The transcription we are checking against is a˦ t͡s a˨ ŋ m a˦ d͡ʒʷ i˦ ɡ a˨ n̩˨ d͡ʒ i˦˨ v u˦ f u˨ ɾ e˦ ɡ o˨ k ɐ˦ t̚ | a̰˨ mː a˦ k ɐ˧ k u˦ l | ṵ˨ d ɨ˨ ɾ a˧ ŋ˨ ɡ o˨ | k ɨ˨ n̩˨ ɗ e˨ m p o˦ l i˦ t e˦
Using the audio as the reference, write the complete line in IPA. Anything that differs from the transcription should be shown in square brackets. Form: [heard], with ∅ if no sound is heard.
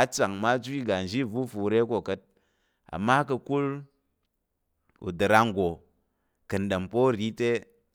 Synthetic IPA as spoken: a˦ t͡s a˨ ŋ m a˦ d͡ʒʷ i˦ ɡ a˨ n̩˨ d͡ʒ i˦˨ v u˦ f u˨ ɾ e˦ [k] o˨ k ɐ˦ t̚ | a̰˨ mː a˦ k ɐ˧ k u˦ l | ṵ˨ d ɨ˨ ɾ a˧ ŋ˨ ɡ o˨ | k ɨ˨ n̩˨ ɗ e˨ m p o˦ [ɾ] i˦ t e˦

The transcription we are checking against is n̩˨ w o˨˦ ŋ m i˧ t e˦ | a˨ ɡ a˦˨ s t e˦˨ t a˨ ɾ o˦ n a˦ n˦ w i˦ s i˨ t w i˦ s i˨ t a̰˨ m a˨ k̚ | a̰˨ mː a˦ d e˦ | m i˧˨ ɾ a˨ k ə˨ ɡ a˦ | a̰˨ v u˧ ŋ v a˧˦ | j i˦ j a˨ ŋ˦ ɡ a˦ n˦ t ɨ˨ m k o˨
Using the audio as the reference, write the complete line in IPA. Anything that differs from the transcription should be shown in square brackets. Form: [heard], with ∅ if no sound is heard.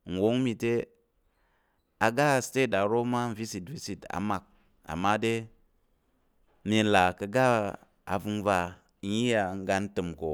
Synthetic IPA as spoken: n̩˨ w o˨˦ ŋ m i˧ t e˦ | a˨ ɡ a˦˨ s t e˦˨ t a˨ ɾ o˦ [m] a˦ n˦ [v] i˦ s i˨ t [v] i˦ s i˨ t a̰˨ m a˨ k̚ | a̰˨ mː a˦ d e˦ | m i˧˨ [l] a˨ k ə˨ ɡ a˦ | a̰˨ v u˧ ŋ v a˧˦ | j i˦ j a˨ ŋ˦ ɡ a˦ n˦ t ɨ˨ m k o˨

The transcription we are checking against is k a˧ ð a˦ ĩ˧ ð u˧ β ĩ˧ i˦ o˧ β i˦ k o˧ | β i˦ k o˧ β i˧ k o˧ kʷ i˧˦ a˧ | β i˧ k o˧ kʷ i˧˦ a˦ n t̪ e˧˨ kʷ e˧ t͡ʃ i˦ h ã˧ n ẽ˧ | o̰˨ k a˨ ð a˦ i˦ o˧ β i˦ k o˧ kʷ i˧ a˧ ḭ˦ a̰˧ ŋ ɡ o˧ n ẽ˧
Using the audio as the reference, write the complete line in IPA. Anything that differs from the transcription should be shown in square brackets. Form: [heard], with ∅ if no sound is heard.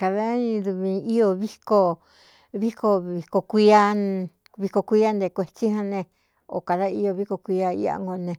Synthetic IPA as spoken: k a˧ ð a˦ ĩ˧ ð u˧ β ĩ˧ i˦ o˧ β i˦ k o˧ | β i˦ k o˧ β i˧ k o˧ kʷ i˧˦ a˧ | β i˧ k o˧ kʷ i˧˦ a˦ n [d̪] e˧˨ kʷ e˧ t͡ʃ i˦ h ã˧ n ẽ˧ | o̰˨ k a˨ ð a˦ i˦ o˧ β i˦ k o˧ kʷ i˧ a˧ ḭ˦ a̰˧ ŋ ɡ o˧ n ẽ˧

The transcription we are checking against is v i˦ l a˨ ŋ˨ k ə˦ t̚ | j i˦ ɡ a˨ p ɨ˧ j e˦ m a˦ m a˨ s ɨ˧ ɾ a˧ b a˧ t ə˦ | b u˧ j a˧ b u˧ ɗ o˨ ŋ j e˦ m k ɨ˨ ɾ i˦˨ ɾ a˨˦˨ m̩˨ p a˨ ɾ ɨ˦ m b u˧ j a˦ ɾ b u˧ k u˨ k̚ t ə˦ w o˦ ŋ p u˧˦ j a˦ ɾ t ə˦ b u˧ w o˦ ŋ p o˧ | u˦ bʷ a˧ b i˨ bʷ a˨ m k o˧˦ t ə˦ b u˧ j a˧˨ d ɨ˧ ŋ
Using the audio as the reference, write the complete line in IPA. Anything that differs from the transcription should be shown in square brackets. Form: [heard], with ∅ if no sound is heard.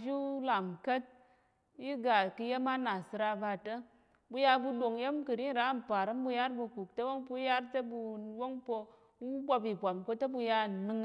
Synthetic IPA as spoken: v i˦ l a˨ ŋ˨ k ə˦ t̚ | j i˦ ɡ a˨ [k] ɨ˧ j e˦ m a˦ [n] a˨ s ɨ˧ ɾ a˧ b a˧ t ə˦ | b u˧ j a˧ b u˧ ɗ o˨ ŋ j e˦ m k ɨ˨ ɾ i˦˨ ɾ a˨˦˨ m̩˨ p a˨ ɾ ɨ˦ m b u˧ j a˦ ɾ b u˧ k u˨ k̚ t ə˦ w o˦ ŋ p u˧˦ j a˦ ɾ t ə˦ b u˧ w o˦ ŋ p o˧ | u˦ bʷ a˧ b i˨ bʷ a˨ m k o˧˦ t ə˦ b u˧ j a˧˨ [n] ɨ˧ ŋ

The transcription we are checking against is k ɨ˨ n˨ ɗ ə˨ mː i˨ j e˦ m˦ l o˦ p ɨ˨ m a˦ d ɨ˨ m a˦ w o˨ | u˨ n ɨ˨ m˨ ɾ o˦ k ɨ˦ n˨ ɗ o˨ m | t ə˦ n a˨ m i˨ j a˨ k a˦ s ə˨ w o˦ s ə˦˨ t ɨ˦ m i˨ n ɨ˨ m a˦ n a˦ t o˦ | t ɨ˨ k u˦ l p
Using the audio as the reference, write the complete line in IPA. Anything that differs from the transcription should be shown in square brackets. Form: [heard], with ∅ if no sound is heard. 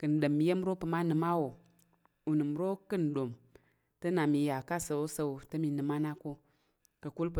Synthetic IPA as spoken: k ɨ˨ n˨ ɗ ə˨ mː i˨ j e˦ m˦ [ɾ] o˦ p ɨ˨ m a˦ [n] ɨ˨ m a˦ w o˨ | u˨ n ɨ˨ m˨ ɾ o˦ k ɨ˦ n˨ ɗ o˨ m | t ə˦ n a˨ m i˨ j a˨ k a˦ s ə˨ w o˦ s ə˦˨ t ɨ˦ m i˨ n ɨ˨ m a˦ n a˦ [k] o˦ | [k] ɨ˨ k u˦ l p

